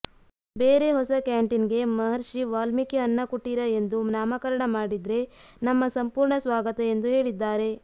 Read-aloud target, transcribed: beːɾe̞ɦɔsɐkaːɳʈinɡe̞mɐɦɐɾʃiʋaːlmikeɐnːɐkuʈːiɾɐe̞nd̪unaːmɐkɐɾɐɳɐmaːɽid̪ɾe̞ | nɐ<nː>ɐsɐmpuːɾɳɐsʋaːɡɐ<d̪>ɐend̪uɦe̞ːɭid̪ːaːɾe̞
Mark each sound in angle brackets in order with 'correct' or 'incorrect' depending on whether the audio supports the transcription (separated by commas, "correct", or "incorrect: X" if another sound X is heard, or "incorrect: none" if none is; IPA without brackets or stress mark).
incorrect: mː, incorrect: t̪